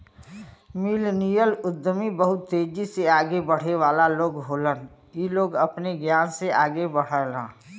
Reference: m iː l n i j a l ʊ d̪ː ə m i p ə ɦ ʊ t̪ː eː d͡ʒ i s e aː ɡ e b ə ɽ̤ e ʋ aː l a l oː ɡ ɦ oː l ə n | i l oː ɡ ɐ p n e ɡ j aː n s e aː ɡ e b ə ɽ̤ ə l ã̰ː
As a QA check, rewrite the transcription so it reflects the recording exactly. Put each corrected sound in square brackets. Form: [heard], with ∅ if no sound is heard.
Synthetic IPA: m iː l n i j [ə] l ʊ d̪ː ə m i [b] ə ɦ ʊ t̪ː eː d͡ʒ i s e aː ɡ e b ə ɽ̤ e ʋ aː l a l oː ɡ ɦ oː l ə n | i l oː ɡ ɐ p n e ɡ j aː n s e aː ɡ e b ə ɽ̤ ə l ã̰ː